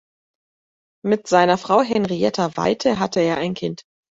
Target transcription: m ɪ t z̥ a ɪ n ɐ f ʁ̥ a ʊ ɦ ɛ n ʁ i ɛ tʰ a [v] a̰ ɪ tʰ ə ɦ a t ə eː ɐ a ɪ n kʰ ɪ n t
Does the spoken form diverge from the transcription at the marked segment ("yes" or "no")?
no